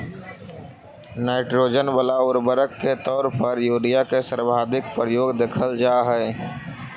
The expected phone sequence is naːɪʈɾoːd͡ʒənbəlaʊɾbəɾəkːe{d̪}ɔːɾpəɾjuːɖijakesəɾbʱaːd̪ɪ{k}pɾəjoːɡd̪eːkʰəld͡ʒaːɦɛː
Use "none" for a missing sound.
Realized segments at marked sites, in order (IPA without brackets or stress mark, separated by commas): t̪, k